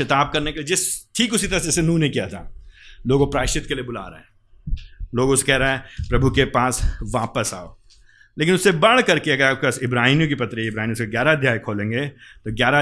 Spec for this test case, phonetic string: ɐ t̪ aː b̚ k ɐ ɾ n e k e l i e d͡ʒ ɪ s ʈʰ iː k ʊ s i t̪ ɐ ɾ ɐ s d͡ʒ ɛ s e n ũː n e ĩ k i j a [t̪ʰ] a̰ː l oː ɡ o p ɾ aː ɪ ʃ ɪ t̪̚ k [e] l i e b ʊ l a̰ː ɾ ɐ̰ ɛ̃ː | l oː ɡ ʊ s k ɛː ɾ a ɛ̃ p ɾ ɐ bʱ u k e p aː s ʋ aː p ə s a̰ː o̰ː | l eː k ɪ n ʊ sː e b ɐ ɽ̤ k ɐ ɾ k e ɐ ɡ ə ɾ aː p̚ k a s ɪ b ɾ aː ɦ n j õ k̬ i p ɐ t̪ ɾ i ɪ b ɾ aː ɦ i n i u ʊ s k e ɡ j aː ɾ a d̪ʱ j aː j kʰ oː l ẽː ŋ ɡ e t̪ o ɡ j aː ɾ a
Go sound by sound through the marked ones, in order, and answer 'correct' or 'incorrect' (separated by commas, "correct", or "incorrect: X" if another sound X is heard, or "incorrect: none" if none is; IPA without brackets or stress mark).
correct, correct